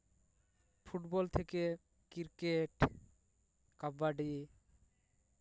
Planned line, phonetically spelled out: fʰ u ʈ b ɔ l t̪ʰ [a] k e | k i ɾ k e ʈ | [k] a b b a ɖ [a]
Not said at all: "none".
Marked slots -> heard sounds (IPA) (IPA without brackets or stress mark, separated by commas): e, k, i